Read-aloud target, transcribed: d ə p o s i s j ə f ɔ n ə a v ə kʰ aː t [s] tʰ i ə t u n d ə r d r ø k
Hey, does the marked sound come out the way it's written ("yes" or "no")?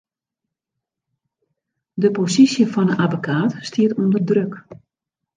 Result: yes